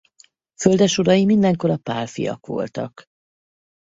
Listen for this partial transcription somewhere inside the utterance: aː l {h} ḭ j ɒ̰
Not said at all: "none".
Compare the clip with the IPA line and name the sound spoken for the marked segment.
f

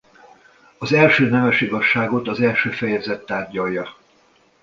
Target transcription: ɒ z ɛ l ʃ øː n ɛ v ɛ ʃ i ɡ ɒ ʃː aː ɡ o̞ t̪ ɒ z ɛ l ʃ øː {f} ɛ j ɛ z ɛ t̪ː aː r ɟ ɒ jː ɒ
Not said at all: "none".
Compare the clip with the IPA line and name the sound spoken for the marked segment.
f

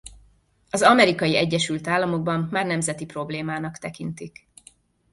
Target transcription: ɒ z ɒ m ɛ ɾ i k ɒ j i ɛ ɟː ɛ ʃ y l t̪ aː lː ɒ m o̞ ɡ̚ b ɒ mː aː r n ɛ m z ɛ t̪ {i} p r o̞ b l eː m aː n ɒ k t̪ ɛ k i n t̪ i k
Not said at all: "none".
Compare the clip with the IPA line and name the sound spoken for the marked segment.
i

